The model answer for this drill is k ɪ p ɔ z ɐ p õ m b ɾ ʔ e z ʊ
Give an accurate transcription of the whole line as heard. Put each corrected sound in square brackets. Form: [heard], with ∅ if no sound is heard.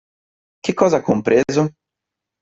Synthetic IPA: k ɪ [k] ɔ z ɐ [k] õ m [p] ɾ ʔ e z ʊ